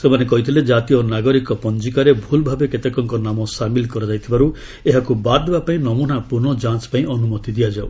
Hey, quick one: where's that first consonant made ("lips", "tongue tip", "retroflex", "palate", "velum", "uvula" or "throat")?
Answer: tongue tip